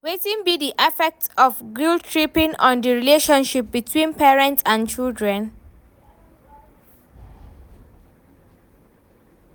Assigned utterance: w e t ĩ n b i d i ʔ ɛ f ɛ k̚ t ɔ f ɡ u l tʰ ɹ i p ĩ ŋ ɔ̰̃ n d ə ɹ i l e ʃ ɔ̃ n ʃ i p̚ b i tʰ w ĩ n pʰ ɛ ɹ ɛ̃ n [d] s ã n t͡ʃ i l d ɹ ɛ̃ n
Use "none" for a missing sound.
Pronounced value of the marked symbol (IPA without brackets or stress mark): t